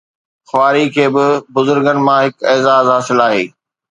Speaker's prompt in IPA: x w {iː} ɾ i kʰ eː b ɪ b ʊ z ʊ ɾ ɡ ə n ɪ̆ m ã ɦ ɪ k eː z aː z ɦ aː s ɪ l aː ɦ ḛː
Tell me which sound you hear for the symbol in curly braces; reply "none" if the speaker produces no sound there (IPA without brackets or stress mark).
aː